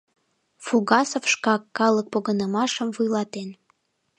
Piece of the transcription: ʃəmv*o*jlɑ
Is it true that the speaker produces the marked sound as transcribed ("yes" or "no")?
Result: no